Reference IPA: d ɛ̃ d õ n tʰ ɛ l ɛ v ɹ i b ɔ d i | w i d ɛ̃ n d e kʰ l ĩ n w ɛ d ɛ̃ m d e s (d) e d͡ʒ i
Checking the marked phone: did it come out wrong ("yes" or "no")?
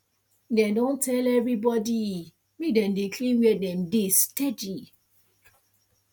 yes